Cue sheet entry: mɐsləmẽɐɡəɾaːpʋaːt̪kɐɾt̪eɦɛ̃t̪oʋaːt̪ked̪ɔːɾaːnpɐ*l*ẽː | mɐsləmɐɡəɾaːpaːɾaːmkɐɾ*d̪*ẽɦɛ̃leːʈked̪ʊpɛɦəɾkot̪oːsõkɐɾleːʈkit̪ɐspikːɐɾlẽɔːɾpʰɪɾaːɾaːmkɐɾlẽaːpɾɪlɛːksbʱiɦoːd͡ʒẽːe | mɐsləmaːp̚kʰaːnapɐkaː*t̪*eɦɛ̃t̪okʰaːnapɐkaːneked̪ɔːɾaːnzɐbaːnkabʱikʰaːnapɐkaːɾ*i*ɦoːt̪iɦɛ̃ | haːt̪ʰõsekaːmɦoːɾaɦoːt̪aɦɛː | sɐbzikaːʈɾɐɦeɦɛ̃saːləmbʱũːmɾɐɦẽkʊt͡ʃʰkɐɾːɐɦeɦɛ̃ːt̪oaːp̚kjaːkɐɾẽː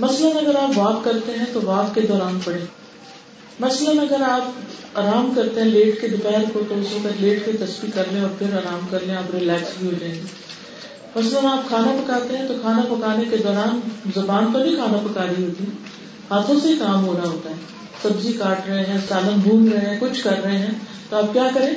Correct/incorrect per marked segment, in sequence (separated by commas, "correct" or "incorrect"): incorrect, incorrect, correct, correct